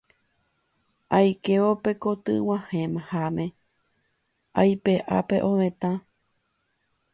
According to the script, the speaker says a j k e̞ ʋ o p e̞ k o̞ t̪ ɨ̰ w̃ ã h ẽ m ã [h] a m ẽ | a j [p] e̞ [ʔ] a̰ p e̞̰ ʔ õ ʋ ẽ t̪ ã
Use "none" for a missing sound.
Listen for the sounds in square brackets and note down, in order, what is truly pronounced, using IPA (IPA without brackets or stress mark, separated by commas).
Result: h, p, ʔ